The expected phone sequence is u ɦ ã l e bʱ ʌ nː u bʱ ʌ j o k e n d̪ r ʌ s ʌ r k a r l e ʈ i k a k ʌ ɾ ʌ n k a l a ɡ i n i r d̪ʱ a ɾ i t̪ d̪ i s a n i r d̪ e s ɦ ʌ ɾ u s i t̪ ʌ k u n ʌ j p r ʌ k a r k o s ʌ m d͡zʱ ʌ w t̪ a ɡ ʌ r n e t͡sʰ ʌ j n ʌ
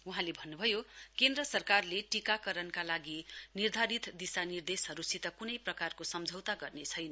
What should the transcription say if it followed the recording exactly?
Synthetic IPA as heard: u ɦ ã l e bʱ ʌ nː u bʱ ʌ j o k e n d̪ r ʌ s ʌ r k a r l e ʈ i k a k ʌ ɾ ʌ n k a l a ɡ i n i r d̪ʱ a ɾ i t̪ d̪ i s a n i r d̪ e s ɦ ʌ ɾ u s i t̪ ʌ k u n ʌ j p r ʌ k a r k o s ʌ m d͡zʱ ʌ w t̪ a ɡ ʌ r n e t͡sʰ ʌ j n ʌ